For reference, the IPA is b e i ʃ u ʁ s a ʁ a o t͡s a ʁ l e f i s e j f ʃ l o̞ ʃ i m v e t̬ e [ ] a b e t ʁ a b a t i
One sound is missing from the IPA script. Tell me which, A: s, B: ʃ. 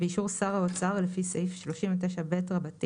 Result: B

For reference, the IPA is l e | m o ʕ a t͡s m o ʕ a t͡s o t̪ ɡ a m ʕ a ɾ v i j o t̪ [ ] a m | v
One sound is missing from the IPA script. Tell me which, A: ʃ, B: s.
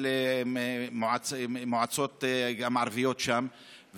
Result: A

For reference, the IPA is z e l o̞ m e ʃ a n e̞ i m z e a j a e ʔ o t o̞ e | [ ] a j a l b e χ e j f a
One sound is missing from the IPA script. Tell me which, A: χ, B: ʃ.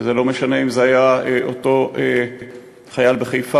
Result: A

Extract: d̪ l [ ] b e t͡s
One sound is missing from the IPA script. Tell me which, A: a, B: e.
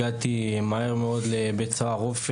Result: B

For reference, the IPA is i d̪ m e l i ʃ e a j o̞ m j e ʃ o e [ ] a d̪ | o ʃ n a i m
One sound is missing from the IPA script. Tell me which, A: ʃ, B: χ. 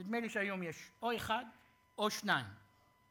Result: B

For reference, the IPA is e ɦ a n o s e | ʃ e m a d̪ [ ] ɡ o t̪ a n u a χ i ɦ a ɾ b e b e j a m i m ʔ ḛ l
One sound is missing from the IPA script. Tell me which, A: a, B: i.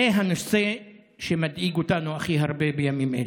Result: B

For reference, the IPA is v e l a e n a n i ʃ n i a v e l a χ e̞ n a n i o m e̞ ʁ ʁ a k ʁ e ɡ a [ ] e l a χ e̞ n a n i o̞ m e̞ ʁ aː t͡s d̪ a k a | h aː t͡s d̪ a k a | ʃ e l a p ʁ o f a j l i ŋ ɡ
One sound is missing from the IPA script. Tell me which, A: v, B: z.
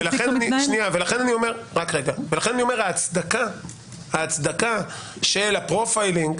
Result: A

